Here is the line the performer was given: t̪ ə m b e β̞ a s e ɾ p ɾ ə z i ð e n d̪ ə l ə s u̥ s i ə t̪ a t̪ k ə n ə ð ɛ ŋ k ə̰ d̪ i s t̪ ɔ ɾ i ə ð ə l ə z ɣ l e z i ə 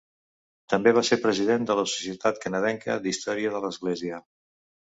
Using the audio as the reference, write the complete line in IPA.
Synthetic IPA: t̪ ə m b e β̞ a s e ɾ p ɾ ə z i ð e n d̪ ə l ə s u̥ s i ə t̪ a t̪ k ə n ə ð ɛ ŋ k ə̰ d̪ i s t̪ ɔ ɾ i ə ð ə l ə z ɣ l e z i ə